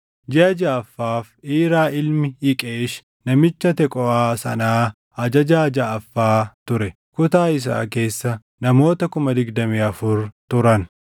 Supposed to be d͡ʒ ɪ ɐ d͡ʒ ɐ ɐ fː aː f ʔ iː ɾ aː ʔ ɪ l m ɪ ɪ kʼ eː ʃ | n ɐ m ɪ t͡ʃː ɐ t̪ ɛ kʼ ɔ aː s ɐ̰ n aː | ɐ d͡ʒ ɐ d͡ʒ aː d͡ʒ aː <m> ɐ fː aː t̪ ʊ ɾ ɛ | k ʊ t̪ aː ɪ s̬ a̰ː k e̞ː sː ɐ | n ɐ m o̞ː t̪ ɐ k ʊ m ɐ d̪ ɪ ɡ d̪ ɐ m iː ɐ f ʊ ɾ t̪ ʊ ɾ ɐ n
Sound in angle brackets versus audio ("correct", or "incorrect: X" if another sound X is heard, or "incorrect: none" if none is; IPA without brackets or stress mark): incorrect: none